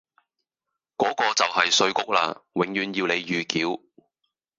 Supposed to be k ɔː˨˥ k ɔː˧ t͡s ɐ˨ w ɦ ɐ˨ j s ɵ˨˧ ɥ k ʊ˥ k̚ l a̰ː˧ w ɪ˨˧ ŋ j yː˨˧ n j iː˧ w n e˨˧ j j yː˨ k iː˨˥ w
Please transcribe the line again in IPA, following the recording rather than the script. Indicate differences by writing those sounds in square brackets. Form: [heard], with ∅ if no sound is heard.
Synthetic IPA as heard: k ɔː˨˥ k ɔː˧ t͡s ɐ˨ w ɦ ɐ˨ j s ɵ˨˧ ɥ k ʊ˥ k̚ l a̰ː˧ w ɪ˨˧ ŋ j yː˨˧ n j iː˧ w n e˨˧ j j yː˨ k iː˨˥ w